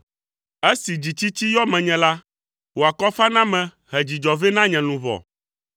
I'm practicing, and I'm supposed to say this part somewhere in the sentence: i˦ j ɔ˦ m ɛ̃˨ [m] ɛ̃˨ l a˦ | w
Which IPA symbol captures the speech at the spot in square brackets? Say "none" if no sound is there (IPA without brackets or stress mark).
ɲ